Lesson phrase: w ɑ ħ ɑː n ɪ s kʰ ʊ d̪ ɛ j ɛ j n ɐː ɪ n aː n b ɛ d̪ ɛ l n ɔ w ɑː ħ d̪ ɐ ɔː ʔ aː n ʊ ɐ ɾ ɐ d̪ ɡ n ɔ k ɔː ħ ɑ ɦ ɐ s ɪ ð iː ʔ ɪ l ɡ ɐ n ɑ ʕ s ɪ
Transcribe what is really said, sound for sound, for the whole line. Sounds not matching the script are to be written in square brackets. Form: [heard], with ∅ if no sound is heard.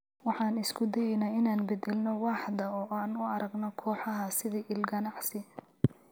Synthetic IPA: w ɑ ħ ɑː n ɪ s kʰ ʊ d̪ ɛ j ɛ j n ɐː ɪ n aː n b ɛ d̪ ɛ l n ɔ w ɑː ħ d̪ ɐ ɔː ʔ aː n ʊ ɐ ɾ ɐ [∅] ɡ n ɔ [kʰ] ɔː ħ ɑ ɦ ɐ s ɪ ð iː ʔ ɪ l ɡ ɐ n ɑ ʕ s ɪ